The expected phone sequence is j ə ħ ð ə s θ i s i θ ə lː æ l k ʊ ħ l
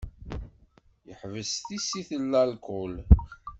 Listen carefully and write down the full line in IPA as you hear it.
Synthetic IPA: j ə ħ v ə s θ i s i θ ə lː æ l k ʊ l